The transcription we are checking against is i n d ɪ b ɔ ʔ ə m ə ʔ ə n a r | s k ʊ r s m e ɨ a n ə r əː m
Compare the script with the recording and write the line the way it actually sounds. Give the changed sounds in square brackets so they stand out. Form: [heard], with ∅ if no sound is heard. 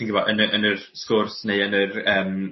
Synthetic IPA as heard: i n [ɡ] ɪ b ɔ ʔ ə [n] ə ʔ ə n [ə] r | s k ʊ r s [n] e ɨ [ə] n ə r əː m